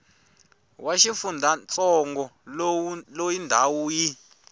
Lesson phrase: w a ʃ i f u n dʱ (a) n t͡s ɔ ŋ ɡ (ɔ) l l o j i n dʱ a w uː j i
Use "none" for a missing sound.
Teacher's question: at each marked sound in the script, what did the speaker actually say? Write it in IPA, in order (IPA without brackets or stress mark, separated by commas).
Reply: a, ɔ